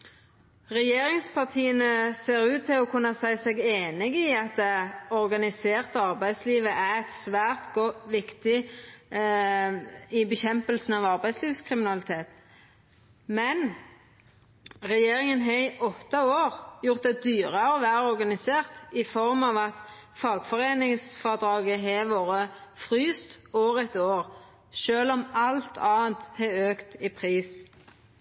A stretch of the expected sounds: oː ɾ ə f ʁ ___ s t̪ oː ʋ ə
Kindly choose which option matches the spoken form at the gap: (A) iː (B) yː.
B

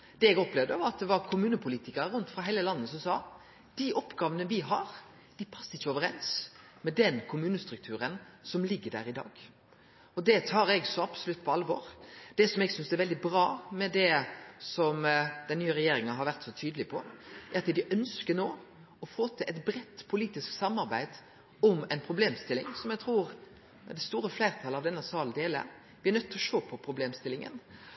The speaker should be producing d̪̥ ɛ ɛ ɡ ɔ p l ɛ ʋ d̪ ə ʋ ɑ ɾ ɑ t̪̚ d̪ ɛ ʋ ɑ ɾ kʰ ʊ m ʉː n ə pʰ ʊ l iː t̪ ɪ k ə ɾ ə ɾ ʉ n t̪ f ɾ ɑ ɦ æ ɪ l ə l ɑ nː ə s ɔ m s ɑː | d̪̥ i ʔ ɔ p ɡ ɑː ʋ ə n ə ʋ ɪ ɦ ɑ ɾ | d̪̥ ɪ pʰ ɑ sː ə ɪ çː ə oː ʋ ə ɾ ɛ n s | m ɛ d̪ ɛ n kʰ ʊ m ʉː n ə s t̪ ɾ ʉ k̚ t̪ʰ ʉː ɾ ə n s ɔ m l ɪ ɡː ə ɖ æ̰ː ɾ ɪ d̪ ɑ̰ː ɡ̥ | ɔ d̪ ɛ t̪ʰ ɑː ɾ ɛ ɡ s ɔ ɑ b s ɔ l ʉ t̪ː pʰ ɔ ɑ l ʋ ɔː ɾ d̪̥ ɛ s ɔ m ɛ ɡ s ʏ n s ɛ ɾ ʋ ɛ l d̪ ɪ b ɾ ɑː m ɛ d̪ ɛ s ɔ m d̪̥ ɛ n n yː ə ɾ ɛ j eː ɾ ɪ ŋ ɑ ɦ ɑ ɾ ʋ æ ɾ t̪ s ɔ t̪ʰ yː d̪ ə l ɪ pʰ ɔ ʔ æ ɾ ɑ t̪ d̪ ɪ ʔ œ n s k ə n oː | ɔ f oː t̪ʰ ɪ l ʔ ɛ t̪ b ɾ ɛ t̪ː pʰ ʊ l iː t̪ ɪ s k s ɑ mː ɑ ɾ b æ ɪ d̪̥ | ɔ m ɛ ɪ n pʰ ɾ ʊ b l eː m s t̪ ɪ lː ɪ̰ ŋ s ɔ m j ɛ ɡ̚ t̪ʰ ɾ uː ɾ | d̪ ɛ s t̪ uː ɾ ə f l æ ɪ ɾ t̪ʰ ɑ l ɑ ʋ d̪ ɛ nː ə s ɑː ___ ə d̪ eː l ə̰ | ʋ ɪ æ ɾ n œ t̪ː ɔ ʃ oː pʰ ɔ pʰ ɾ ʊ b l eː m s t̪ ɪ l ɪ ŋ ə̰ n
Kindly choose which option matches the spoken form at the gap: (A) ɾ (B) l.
B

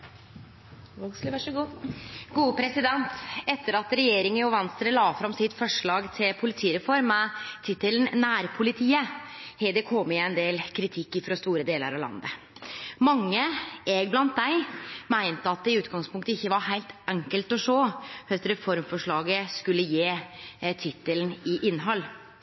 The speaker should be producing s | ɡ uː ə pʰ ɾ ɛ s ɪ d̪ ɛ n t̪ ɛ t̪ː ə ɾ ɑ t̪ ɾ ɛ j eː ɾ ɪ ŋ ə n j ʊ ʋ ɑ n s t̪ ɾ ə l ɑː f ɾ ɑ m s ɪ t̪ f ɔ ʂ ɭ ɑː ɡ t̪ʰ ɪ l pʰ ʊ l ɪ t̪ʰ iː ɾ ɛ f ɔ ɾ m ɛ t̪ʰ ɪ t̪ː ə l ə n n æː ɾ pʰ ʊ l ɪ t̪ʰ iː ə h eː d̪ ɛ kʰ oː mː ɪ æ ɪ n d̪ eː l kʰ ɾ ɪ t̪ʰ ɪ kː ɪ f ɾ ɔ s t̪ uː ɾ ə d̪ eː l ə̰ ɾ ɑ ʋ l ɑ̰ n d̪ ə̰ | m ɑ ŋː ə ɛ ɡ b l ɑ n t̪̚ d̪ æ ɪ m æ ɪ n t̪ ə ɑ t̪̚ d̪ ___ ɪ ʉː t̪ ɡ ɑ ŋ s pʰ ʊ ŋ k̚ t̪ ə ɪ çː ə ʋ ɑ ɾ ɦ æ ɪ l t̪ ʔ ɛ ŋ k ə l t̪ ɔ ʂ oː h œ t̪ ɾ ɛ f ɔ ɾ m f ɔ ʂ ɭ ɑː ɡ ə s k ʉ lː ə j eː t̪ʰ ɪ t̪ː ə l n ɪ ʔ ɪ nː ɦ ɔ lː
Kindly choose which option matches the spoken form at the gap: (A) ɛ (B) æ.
A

